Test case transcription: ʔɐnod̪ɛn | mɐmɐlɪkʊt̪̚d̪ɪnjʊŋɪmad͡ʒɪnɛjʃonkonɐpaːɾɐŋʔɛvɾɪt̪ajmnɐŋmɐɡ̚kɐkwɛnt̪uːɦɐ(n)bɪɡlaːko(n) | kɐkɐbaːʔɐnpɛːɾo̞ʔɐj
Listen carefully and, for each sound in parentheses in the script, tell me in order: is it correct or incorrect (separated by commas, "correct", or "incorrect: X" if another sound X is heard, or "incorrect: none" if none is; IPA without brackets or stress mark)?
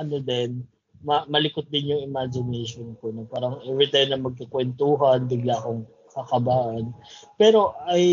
correct, incorrect: ŋ